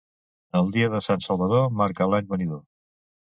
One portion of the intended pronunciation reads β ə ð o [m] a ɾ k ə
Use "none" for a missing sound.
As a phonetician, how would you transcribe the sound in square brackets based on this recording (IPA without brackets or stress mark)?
m